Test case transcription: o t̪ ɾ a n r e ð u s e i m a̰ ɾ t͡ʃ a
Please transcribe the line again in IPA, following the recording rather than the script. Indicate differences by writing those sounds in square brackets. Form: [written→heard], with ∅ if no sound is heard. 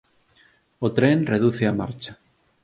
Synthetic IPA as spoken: o t̪ ɾ [a→e] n r e ð u [s→θ] e [i→a] m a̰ ɾ t͡ʃ a